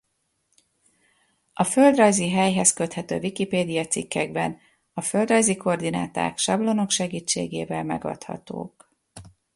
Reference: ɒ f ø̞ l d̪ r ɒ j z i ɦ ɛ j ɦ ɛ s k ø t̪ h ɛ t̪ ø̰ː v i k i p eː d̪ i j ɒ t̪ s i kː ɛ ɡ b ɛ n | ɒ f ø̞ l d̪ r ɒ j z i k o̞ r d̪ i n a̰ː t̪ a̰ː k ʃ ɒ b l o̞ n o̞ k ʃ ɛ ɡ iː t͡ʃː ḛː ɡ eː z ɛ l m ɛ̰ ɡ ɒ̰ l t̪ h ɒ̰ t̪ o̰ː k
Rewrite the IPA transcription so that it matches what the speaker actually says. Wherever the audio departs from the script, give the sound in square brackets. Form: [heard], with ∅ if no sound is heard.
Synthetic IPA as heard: ɒ f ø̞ l d̪ r ɒ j z i ɦ ɛ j ɦ ɛ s k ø t̪ h ɛ t̪ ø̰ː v i k i p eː d̪ i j ɒ t̪ s i kː ɛ ɡ b ɛ n | ɒ f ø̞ l d̪ r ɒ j z i k o̞ r d̪ i n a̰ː t̪ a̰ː k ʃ ɒ b l o̞ n o̞ k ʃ ɛ ɡ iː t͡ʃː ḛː ɡ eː [v] ɛ l m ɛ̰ ɡ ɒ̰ [∅] t̪ h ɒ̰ t̪ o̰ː k

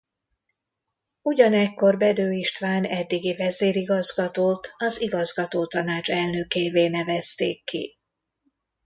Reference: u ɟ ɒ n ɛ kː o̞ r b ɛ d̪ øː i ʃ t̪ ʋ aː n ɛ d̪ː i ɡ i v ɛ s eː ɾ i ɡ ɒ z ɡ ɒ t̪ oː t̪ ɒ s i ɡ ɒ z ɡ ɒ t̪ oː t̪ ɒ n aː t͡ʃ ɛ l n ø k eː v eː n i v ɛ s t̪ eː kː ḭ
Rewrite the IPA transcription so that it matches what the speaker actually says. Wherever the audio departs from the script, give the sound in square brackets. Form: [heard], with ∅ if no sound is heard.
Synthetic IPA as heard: u ɟ ɒ n ɛ kː o̞ r b ɛ d̪ øː i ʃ t̪ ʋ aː n ɛ d̪ː i ɡ i v ɛ [z] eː ɾ i ɡ ɒ z ɡ ɒ t̪ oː t̪ ɒ [z] i ɡ ɒ z ɡ ɒ t̪ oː t̪ ɒ n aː t͡ʃ ɛ l n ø k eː v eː n [ɛ] v ɛ s t̪ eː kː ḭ

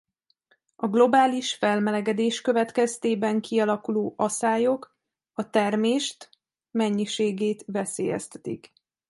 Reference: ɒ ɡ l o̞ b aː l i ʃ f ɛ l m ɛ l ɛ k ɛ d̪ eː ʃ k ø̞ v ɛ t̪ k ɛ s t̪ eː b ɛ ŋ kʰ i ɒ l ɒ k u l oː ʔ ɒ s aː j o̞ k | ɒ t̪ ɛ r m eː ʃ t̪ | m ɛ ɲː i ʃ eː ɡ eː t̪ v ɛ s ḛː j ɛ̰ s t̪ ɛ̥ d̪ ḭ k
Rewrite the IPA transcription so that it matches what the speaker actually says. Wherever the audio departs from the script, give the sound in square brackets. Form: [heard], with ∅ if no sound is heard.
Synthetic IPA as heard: ɒ ɡ l o̞ b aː l i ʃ f ɛ l m ɛ l ɛ [ɡ] ɛ d̪ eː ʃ k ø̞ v ɛ t̪ k ɛ s t̪ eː b ɛ ŋ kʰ i ɒ l ɒ k u l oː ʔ ɒ s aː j o̞ k | ɒ t̪ ɛ r m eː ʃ t̪ | m ɛ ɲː i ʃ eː ɡ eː t̪ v ɛ s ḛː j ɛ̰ s t̪ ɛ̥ [t̪] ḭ k

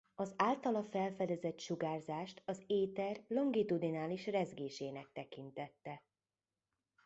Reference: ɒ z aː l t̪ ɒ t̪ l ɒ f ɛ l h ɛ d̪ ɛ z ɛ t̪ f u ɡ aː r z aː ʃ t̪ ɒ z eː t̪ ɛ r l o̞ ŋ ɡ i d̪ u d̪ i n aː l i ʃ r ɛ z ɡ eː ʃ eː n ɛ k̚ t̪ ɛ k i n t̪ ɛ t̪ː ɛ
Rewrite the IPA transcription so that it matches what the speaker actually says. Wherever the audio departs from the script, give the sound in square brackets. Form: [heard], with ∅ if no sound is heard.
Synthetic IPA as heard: ɒ z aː l t̪ ɒ [∅] l ɒ f ɛ l [f] ɛ d̪ ɛ z ɛ t̪ [ʃ] u ɡ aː r z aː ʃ t̪ ɒ z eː t̪ ɛ r l o̞ ŋ ɡ i [t̪] u d̪ i n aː l i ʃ r ɛ z ɡ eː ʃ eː n ɛ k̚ t̪ ɛ k i n t̪ ɛ t̪ː ɛ

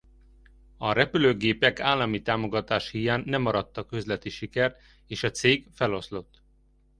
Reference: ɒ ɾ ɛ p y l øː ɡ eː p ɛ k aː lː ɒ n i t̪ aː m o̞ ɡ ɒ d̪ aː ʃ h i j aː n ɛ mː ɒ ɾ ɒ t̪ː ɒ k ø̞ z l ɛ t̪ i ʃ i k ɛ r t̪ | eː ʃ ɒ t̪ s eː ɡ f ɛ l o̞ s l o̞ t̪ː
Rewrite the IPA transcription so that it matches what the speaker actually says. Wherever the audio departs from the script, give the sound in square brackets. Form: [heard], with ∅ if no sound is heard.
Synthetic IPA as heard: ɒ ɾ ɛ p y l øː ɡ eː p ɛ k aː lː ɒ [m] i t̪ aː m o̞ ɡ ɒ [t̪] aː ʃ h i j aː [nː] ɛ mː ɒ ɾ ɒ t̪ː ɒ k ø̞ z l ɛ t̪ i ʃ i k ɛ r t̪ | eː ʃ ɒ t̪ s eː ɡ f ɛ l o̞ s l o̞ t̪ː

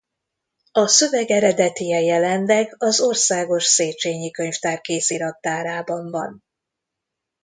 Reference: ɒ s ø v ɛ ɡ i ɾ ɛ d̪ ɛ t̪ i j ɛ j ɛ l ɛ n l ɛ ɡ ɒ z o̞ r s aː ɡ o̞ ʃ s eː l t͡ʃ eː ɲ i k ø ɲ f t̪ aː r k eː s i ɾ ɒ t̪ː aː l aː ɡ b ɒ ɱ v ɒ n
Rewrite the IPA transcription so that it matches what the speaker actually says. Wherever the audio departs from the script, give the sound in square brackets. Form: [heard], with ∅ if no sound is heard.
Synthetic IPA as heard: ɒ s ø v ɛ ɡ [ɛ] ɾ ɛ d̪ ɛ t̪ i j ɛ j ɛ l ɛ n l ɛ ɡ ɒ z o̞ r s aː ɡ o̞ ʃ s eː [∅] t͡ʃ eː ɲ i k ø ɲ f t̪ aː r k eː s i ɾ ɒ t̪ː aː [ɾ] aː [∅] b ɒ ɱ v ɒ n

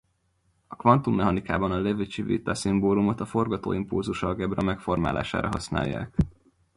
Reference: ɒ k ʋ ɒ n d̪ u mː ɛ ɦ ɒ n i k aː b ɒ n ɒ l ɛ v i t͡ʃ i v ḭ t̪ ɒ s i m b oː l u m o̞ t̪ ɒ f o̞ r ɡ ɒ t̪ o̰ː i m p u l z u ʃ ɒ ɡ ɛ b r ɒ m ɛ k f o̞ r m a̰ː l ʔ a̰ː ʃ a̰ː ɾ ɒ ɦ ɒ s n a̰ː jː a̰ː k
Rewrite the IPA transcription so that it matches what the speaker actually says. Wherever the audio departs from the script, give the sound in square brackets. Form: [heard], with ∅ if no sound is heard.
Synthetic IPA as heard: ɒ k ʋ ɒ n [t̪] u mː ɛ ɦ ɒ n i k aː b ɒ n ɒ l ɛ v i t͡ʃ i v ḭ t̪ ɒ s i m b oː l u m o̞ t̪ ɒ f o̞ r ɡ ɒ t̪ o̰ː i m p u l z u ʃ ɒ ɡ ɛ b r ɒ m ɛ k f o̞ r m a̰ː l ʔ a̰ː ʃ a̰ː ɾ ɒ ɦ ɒ s n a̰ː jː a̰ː k

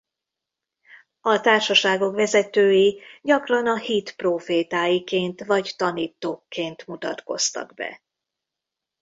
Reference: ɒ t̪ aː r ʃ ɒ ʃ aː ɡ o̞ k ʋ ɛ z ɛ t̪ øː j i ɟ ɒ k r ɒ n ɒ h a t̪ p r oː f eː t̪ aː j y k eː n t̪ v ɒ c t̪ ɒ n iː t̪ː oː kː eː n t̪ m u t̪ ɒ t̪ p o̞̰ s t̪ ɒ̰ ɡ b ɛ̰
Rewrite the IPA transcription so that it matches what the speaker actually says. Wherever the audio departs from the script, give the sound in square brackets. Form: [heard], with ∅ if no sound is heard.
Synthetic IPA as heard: ɒ t̪ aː r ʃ ɒ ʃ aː ɡ o̞ k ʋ ɛ z ɛ t̪ øː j i ɟ ɒ k r ɒ n ɒ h [i] t̪ p r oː f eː t̪ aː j [i] k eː n t̪ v ɒ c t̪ ɒ n iː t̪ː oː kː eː n t̪ m u t̪ ɒ t̪ [k] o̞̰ s t̪ ɒ̰ ɡ b ɛ̰

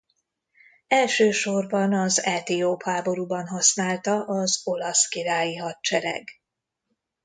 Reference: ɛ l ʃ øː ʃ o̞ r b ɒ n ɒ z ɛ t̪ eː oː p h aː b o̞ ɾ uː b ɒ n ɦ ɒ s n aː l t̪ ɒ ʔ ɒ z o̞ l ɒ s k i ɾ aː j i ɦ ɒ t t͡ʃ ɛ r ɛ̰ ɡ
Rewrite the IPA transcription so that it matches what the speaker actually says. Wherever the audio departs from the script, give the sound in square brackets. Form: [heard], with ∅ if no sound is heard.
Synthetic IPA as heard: ɛ l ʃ øː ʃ o̞ r b ɒ n ɒ z ɛ t̪ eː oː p h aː b o̞ ɾ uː b ɒ n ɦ ɒ s n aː l t̪ ɒ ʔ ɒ z o̞ l ɒ s k i ɾ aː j i ɦ ɒ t t͡ʃ ɛ [ɾ] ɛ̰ ɡ

